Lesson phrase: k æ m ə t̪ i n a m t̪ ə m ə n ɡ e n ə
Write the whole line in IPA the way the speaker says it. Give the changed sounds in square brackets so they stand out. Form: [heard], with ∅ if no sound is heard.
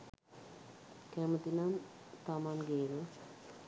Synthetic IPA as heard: k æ m ə t̪ i n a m t̪ [a] m [a] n ɡ e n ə